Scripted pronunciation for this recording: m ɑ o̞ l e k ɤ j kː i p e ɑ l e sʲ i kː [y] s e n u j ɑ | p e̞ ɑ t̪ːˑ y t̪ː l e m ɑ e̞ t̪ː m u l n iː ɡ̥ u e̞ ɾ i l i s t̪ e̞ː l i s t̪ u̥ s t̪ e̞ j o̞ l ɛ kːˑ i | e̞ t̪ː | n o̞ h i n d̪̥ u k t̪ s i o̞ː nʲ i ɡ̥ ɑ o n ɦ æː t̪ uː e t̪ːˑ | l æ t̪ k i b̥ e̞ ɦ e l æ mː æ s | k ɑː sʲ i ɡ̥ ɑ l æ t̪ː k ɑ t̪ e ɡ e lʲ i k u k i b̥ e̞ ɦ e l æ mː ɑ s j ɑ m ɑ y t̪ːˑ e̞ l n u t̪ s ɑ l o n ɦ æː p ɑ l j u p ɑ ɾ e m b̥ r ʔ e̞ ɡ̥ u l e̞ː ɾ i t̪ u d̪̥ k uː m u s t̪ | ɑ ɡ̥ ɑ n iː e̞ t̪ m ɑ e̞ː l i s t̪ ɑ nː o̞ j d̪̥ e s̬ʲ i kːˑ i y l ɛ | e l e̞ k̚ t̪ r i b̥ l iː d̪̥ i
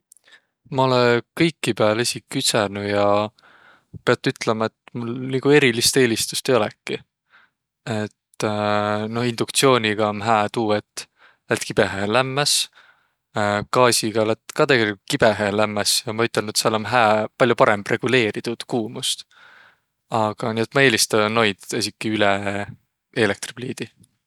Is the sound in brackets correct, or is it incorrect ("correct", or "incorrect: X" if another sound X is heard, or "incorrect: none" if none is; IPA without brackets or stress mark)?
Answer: correct